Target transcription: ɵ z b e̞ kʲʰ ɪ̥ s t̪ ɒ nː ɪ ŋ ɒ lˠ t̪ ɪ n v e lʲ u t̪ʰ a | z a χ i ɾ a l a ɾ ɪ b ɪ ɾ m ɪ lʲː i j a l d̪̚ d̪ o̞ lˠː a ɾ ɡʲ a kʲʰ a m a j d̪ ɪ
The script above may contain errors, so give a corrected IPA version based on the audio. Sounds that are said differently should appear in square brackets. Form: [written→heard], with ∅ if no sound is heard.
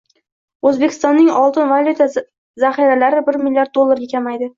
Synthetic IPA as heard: ɵ z b e̞ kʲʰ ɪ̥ s t̪ ɒ nː ɪ ŋ ɒ lˠ t̪ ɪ n v [e→a] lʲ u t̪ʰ a | z a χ i ɾ a l a ɾ ɪ b ɪ ɾ m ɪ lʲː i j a [l→ɾ] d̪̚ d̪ o̞ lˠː a ɾ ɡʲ a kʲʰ a m a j d̪ ɪ